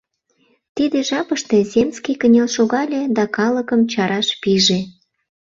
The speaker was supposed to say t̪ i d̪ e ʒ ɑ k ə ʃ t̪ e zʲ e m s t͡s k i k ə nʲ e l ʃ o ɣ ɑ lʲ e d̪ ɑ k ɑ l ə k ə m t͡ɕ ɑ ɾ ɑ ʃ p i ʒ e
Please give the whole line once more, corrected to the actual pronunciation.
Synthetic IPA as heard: t̪ i d̪ e ʒ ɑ p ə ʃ t̪ e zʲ e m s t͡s k i k ə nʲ e l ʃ o ɣ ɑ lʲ e d̪ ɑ k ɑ l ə k ə m t͡ɕ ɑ ɾ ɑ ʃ p i ʒ e

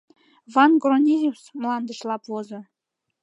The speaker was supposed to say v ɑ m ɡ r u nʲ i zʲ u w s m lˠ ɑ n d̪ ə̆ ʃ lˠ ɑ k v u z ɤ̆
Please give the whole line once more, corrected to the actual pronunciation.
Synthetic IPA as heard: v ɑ n ɡ r o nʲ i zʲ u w s m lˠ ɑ n d̪ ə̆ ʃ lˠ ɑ p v o z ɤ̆

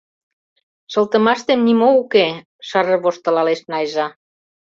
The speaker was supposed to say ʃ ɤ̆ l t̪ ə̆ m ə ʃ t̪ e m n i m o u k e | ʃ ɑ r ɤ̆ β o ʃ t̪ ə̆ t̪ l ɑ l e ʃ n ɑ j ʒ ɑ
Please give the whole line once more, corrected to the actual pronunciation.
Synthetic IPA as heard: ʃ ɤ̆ l t̪ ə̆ m ɑ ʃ t̪ e m n i m o u k e | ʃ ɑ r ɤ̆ β o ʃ t̪ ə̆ l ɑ l e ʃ n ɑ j ʒ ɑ

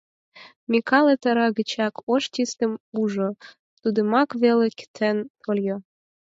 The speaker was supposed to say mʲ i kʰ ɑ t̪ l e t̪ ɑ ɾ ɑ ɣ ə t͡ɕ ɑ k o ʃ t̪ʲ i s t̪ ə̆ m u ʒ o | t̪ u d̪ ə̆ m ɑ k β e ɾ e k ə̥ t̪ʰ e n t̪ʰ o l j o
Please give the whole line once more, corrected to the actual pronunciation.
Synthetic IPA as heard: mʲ i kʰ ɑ l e t̪ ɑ ɾ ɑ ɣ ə t͡ɕ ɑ k o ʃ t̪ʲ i s t̪ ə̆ m u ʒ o | t̪ u d̪ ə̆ m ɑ k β e l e k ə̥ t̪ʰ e n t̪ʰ o l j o

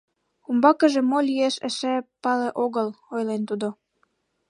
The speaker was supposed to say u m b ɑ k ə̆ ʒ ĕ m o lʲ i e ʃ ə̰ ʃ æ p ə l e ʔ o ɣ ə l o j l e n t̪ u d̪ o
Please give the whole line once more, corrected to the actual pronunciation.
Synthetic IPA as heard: u m b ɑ k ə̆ ʒ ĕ m o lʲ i e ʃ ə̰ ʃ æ p ɑ l e ʔ o ɣ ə l o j l e n t̪ u d̪ o

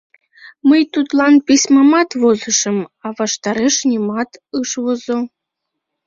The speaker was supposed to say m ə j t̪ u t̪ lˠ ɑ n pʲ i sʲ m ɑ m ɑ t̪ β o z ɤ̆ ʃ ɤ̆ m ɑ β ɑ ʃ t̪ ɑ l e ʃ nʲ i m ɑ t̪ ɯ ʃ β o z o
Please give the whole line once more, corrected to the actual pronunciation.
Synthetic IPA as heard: m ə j t̪ u t̪ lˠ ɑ n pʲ i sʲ m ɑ m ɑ t̪ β o z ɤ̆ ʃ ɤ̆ m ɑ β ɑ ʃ t̪ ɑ ɾ e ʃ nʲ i m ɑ t̪ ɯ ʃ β o z o

